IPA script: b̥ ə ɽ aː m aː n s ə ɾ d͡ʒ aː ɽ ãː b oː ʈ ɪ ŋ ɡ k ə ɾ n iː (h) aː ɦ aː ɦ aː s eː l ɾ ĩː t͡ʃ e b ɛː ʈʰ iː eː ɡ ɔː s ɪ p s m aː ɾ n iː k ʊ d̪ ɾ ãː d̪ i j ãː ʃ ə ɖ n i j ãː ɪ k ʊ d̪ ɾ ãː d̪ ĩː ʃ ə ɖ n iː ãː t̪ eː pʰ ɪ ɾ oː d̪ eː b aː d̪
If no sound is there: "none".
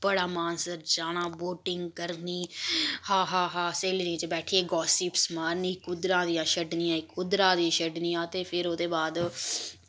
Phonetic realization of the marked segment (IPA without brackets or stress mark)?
h